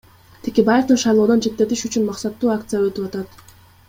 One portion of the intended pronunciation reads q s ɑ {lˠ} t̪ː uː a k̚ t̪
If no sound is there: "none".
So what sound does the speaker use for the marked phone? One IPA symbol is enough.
none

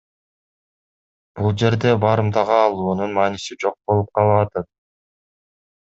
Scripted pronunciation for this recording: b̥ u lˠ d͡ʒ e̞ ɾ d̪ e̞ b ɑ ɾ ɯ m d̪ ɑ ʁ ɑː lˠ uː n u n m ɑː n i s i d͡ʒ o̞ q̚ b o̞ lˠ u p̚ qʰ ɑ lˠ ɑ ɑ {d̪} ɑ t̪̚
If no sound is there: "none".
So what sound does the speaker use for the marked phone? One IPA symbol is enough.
t̪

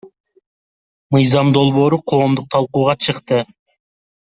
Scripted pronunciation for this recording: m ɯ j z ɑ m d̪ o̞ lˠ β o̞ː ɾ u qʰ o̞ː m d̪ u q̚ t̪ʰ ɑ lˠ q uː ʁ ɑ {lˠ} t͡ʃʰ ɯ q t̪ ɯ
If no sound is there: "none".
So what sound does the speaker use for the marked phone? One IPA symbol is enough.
none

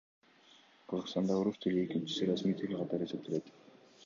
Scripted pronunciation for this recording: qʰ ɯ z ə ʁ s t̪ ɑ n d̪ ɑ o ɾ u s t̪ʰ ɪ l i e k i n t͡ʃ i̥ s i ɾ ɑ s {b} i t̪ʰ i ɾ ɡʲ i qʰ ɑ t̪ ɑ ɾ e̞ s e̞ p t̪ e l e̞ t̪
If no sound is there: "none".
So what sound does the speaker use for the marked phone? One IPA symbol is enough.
m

